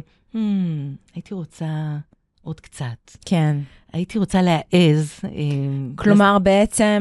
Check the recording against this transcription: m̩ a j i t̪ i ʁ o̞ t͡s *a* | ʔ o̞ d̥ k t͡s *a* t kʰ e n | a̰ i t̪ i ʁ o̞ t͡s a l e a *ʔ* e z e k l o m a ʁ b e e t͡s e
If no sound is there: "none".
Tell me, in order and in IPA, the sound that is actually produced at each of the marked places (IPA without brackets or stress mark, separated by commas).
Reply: a, a, ʔ